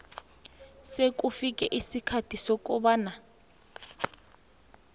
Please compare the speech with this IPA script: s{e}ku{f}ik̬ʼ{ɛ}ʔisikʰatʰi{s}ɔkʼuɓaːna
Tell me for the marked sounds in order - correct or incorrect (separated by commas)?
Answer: correct, correct, correct, correct